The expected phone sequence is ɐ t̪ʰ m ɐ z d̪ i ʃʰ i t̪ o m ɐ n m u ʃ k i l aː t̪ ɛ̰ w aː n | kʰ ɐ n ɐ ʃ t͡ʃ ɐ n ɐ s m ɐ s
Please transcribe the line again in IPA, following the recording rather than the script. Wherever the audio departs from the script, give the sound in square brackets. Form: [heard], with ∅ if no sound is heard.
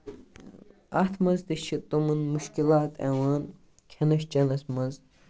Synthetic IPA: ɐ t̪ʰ m ɐ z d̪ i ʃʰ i t̪ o m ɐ n m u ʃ k i l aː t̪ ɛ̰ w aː n | kʰ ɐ n ɐ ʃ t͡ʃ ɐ n ɐ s m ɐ [z]